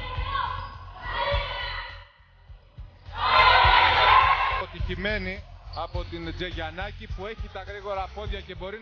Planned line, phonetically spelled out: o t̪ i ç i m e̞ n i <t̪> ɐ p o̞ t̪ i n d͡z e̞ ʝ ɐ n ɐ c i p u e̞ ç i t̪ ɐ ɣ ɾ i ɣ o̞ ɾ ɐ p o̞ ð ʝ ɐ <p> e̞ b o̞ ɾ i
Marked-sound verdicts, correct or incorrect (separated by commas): incorrect, incorrect